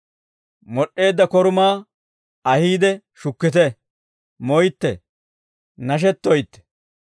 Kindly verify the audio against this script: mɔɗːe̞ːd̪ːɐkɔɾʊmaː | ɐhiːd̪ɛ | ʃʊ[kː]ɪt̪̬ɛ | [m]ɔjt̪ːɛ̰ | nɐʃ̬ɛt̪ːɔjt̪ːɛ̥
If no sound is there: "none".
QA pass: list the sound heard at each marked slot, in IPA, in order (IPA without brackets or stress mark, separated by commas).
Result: kː, m